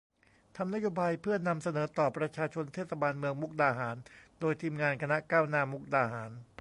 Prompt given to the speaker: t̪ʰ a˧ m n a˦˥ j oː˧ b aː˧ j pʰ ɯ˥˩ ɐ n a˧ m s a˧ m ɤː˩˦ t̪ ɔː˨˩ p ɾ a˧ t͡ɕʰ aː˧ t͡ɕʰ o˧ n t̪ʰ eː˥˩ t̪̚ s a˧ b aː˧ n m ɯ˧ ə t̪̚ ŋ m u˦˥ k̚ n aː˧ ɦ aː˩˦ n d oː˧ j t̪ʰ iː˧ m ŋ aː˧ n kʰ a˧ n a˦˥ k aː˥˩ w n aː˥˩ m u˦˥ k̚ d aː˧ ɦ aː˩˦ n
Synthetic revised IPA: t̪ʰ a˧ m n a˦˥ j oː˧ b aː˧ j pʰ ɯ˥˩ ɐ n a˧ m s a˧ n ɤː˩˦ t̪ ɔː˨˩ p ɾ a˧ t͡ɕʰ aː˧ t͡ɕʰ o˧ n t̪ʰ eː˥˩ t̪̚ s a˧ b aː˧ n m ɯ˧ ə ŋ m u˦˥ k̚ d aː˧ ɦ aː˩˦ n d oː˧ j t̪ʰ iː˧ m ŋ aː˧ n kʰ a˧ n a˦˥ k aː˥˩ w n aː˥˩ m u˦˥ k̚ d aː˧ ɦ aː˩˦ n